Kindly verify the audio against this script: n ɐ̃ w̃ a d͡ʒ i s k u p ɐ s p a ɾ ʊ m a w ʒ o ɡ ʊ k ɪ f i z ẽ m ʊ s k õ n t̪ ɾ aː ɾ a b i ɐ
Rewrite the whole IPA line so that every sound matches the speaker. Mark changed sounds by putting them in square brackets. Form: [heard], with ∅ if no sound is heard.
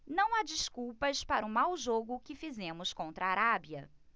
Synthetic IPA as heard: n ɐ̃ w̃ a d͡ʒ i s k u p ɐ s p a ɾ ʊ m a w ʒ o ɡ ʊ k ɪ f i z ẽ m ʊ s k õ n t̪ ɾ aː ɾ a b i ɐ

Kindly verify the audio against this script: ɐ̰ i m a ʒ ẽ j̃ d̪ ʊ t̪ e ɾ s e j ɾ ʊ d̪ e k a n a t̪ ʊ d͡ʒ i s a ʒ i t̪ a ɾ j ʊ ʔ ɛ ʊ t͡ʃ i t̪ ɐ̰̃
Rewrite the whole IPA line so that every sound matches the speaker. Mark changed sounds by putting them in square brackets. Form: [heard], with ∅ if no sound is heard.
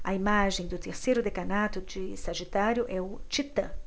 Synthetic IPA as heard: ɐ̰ i m a ʒ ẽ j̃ d̪ ʊ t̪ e ɾ s e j ɾ ʊ d̪ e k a n a t̪ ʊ d͡ʒ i s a ʒ i t̪ a ɾ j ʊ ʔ ɛ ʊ t͡ʃ i t̪ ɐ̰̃

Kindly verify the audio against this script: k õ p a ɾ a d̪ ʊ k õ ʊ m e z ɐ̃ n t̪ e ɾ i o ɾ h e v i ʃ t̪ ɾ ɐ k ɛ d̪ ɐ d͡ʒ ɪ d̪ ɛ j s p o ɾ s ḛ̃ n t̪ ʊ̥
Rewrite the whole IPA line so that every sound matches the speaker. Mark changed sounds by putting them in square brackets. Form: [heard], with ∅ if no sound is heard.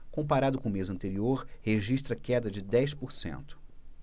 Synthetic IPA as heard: k õ p a ɾ a d̪ ʊ k õ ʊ m e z ɐ̃ n t̪ e ɾ i o ɾ h e [ʒ] i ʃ t̪ ɾ ɐ k ɛ d̪ ɐ d͡ʒ ɪ d̪ ɛ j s p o ɾ s ḛ̃ n t̪ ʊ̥

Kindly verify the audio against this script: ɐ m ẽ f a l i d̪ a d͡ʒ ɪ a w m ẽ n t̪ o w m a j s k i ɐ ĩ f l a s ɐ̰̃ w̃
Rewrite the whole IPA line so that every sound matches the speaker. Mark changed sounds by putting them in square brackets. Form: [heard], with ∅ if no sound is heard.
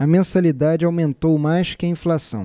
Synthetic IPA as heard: ɐ m ẽ [s] a l i d̪ a d͡ʒ ɪ a w m ẽ n t̪ o w m a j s k [ɪ] ɐ ĩ f l a s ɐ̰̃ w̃

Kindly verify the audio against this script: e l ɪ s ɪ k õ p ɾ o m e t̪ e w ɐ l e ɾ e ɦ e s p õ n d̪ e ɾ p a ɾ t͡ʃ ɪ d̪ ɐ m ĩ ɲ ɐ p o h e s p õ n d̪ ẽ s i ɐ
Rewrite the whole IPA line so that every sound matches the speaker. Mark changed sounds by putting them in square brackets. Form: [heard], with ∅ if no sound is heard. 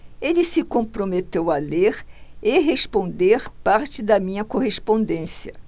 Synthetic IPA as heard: e l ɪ s ɪ k õ p ɾ o m e t̪ e w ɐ l e ɾ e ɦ e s p õ n d̪ e ɾ p a ɾ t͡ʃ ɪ d̪ ɐ m ĩ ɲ ɐ [k] o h e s p õ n d̪ ẽ s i ɐ

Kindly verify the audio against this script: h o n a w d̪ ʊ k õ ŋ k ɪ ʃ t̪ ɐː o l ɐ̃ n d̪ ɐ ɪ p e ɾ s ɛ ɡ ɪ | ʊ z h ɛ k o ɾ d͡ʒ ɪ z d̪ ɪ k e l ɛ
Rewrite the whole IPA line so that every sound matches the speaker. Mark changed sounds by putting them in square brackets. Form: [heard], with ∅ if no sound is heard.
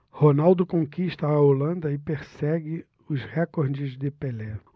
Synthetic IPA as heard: h o n a w d̪ ʊ k õ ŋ k [i] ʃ t̪ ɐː o l ɐ̃ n d̪ ɐ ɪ p e ɾ s ɛ ɡ ɪ | ʊ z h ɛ k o ɾ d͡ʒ ɪ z d̪ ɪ [p] e l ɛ

